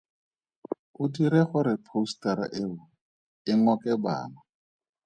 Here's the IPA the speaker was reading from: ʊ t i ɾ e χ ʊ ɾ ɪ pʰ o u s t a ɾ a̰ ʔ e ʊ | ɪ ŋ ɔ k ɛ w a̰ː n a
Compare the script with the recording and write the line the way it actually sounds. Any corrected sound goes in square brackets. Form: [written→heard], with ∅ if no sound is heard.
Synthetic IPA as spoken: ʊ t i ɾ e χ ʊ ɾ ɪ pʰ o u s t a ɾ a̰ ʔ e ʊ | ɪ ŋ ɔ k ɛ [w→b] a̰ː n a